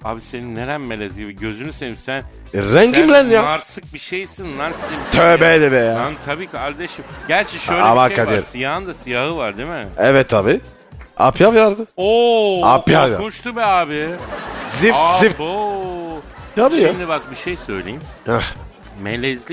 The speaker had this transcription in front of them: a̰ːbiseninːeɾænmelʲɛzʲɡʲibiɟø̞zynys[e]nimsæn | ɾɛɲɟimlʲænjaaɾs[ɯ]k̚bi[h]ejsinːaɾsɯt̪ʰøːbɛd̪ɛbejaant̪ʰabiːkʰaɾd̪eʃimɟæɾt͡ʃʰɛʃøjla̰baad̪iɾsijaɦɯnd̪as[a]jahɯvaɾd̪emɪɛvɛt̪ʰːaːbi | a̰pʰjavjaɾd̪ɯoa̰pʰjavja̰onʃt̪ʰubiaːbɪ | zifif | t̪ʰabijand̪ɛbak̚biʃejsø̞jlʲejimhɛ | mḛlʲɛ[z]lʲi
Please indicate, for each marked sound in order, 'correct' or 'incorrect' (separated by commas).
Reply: correct, correct, incorrect, incorrect, correct